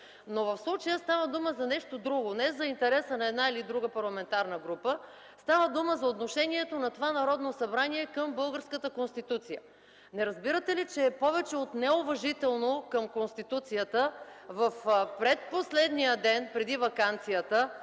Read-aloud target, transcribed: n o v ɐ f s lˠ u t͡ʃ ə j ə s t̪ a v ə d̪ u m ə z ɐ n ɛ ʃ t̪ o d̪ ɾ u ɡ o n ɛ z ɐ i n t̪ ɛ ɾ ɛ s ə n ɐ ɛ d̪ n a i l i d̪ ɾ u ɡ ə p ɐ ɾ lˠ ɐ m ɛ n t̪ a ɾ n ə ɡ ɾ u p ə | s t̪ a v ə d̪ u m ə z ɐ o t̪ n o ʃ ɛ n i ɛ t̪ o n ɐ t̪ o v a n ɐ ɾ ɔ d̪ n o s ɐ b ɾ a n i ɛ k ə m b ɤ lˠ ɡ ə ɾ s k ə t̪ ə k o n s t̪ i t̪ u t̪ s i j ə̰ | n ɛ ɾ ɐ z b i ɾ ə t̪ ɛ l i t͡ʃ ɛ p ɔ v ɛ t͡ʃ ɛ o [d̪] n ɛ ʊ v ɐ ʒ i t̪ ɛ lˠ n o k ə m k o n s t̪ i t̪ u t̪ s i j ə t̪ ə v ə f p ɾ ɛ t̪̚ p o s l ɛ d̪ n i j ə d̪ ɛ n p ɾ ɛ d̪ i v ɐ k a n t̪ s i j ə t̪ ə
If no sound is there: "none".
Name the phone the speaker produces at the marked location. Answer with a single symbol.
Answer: t̪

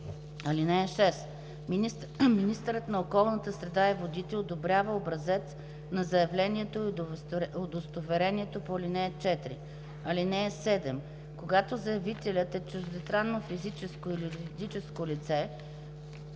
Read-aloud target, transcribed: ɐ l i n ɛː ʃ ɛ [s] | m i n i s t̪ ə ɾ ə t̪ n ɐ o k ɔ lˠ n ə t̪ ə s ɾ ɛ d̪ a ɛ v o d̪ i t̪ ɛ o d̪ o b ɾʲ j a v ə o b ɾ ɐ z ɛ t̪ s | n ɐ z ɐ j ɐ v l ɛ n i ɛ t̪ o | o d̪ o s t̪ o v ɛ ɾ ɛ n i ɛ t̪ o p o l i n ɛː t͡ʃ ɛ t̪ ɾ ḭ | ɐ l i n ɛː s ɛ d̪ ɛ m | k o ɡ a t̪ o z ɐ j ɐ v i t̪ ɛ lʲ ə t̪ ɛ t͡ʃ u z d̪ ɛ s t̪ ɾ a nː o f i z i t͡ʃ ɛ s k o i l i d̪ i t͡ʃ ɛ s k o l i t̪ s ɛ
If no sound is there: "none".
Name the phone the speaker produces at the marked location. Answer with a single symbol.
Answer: s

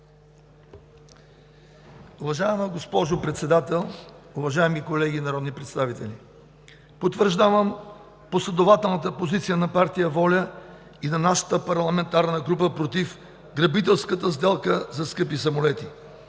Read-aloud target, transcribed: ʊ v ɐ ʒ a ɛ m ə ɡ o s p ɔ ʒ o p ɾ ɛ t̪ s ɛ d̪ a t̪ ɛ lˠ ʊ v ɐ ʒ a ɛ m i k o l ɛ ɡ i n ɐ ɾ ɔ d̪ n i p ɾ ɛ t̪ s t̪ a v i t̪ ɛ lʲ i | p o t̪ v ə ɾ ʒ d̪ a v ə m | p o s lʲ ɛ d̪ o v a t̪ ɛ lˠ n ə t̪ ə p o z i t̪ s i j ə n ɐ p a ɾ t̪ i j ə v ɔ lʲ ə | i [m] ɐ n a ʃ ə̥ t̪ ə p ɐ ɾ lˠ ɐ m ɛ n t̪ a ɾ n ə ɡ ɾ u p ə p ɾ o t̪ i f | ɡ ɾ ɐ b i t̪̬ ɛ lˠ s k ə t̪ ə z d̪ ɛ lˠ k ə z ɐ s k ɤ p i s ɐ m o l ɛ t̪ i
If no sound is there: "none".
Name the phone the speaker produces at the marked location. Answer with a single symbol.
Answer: n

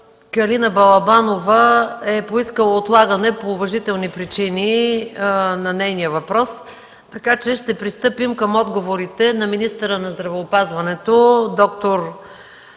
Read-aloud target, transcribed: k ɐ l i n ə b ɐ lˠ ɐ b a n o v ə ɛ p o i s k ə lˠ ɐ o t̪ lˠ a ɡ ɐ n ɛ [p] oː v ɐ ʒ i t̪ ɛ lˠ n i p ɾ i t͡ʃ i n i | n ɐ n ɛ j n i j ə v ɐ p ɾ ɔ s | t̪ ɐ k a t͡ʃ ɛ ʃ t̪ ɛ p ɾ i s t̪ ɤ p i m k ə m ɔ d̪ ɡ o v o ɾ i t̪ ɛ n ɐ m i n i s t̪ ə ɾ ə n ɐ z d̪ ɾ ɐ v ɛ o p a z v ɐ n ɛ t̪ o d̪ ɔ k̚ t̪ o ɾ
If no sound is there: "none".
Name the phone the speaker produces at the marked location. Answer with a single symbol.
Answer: p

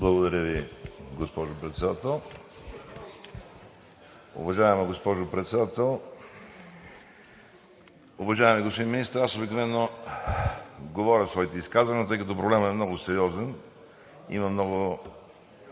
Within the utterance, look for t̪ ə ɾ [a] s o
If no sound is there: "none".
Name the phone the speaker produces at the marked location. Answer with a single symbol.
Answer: a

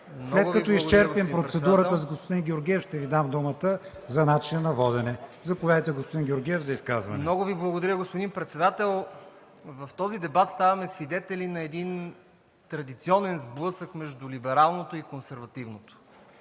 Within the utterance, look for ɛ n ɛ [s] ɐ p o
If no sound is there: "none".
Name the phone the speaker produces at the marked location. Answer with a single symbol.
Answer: z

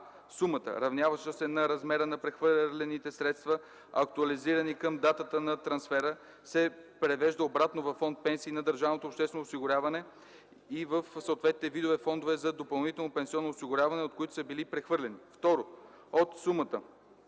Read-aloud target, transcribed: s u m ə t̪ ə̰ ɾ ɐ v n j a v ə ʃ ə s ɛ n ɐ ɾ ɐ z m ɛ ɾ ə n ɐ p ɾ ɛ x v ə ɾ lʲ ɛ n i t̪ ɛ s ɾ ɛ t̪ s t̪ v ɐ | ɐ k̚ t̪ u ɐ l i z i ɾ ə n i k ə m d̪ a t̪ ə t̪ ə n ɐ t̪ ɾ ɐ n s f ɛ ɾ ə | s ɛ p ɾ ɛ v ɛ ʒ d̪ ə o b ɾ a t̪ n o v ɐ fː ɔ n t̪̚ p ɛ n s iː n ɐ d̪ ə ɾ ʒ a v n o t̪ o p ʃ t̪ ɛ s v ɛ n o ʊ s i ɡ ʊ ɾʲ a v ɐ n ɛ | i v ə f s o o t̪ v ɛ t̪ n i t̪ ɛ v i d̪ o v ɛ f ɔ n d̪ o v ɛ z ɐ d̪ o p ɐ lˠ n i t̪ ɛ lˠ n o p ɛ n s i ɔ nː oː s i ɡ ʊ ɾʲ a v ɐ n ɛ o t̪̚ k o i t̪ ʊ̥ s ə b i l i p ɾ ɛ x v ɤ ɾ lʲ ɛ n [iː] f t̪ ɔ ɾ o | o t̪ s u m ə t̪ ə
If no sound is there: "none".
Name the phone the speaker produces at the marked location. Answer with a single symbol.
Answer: i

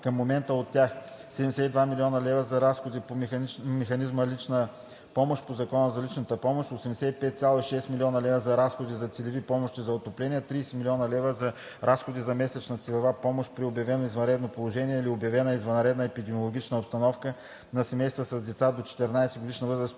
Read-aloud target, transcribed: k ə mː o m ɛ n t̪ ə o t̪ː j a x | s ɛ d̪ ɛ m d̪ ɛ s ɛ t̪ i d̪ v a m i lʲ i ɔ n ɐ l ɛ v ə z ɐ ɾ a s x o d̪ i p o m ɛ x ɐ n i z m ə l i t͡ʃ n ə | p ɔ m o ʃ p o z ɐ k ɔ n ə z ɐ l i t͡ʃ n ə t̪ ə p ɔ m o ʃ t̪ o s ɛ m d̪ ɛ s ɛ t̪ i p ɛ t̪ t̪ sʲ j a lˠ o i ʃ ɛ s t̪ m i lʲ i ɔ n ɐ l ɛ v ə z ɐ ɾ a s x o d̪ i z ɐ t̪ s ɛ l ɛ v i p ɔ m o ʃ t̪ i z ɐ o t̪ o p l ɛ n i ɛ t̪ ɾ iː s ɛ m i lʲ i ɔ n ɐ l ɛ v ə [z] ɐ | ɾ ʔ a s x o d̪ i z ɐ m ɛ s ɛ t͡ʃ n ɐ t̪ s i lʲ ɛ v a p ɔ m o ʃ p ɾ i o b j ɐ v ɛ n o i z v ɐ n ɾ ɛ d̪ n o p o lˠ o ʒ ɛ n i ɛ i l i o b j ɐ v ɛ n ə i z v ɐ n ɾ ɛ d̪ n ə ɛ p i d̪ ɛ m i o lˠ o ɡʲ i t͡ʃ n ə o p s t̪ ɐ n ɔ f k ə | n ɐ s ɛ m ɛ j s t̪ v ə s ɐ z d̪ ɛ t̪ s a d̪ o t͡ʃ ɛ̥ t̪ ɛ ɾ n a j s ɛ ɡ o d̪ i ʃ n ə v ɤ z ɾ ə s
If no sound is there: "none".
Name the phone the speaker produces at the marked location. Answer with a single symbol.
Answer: z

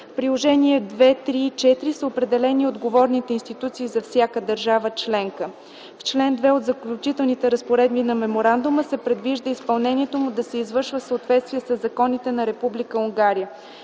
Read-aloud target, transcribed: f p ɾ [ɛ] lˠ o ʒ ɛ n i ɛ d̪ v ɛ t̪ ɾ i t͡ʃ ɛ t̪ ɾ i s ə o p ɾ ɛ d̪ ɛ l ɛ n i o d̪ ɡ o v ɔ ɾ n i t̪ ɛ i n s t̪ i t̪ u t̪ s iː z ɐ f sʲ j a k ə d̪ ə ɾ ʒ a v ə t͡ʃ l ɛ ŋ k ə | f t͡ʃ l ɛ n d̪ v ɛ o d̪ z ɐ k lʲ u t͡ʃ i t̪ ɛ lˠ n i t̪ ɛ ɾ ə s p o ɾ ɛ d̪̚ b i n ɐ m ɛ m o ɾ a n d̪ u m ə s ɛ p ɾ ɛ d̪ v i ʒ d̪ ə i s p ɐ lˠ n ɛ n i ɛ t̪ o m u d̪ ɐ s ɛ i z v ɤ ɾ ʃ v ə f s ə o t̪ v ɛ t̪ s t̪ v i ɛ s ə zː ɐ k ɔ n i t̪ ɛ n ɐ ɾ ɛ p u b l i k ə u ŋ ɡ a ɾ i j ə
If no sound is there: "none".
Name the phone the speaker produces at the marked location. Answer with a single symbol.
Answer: i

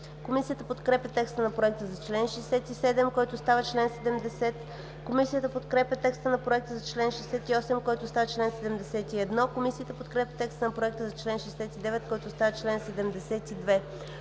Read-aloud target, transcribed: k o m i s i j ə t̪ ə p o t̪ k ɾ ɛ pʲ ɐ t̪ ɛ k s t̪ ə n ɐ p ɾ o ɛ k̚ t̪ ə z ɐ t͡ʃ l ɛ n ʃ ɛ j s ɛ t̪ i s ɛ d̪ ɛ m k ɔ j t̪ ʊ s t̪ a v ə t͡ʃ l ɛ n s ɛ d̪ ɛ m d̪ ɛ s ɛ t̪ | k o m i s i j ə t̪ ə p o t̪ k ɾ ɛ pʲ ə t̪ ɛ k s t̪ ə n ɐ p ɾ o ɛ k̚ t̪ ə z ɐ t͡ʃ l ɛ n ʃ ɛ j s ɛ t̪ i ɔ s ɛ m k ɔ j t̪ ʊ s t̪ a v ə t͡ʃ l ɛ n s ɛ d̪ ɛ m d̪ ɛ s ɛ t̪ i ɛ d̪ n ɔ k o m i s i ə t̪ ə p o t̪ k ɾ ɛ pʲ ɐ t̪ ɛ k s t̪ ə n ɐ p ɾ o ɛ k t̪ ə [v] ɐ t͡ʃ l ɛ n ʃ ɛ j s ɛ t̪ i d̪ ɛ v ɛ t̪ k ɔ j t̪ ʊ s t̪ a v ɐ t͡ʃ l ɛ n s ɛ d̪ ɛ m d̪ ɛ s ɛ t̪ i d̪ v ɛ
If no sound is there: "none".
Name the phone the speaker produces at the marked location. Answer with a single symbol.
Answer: z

